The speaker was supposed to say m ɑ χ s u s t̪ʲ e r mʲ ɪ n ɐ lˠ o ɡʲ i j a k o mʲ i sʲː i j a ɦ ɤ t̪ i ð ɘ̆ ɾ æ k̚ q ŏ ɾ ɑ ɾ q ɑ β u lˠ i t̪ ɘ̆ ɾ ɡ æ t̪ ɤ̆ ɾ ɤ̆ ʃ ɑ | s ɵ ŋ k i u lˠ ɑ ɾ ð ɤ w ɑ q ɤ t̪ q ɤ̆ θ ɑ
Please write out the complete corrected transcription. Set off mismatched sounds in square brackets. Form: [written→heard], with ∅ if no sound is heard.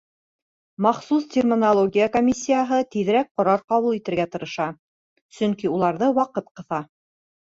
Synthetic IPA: m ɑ χ s u s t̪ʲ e r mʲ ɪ n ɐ lˠ o ɡʲ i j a k o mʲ i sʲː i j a ɦ ɤ t̪ i ð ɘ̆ ɾ æ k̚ q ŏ ɾ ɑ ɾ q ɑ β u lˠ i t̪ ɘ̆ ɾ ɡ æ t̪ ɤ̆ ɾ ɤ̆ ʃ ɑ | s ɵ ŋ k i u lˠ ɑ ɾ ð ɤ w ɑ q ɤ t̪ q ɤ̆ θ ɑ